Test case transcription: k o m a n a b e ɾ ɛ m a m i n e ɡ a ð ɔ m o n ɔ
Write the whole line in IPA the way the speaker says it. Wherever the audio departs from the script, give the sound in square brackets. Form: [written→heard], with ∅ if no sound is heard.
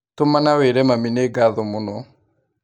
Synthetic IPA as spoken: [k→t] o m a n a [b→w] e ɾ ɛ m a m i n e ɡ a ð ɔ m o n ɔ